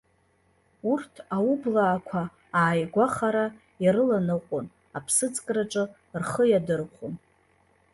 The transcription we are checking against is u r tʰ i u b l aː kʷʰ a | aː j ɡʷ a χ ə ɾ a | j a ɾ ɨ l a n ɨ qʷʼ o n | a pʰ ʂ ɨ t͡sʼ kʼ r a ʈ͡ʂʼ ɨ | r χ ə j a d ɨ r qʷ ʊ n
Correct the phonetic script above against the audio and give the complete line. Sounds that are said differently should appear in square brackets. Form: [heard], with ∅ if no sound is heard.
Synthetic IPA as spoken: u r tʰ [a] u b l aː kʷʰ a | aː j ɡʷ a χ [a] ɾ a | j a ɾ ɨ l a n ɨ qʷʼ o n | a pʰ [s] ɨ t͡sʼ kʼ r a ʈ͡ʂʼ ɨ | r χ ə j a d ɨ r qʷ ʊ n